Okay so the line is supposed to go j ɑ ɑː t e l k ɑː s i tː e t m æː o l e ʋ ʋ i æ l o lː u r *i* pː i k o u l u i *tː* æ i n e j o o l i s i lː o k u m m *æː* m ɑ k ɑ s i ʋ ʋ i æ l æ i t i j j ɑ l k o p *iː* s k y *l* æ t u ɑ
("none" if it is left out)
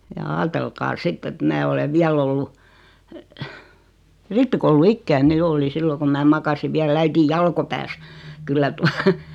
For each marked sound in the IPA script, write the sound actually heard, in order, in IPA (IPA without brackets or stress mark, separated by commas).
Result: i, kː, æː, æː, lː